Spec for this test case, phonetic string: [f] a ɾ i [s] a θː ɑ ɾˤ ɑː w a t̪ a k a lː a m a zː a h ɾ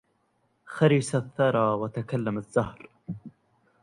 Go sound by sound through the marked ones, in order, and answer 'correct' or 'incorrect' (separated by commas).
incorrect, correct